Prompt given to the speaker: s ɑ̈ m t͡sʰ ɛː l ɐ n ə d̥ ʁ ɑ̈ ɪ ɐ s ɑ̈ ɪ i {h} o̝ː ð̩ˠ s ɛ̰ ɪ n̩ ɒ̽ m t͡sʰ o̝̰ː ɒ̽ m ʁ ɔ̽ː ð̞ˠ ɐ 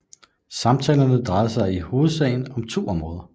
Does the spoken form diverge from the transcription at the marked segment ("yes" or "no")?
no